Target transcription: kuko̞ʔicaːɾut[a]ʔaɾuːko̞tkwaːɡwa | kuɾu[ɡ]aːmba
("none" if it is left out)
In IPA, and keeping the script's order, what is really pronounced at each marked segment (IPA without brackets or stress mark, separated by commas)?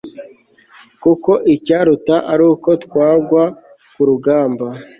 a, ɡ